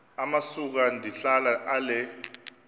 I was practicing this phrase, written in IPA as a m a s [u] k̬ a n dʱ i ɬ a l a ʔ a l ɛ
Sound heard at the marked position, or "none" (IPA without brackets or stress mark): u